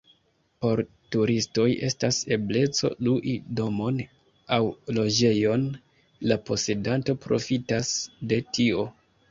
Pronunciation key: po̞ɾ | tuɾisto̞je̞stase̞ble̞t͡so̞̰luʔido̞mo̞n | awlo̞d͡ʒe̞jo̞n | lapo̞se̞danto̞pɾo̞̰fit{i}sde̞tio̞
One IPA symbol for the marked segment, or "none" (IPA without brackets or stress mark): a